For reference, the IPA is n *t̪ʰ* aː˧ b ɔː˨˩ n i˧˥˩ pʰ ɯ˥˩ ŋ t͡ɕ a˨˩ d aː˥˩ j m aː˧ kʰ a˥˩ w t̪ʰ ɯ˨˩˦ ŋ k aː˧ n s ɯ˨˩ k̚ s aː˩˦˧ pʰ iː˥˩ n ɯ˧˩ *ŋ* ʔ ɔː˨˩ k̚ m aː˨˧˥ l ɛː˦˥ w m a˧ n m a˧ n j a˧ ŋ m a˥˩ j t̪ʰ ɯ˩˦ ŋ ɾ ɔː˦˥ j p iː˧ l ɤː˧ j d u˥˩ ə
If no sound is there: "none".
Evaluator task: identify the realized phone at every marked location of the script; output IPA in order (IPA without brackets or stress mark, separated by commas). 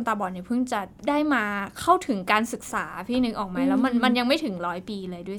t̪, ŋ